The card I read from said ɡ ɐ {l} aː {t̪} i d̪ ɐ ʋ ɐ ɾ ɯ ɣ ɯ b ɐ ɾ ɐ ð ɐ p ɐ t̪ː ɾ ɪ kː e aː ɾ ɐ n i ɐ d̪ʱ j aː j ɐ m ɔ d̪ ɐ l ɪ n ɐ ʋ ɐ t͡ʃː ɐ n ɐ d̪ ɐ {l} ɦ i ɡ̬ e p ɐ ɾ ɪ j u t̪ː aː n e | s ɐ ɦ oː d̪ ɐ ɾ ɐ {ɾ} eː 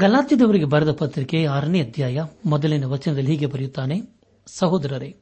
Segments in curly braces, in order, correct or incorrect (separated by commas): correct, correct, correct, correct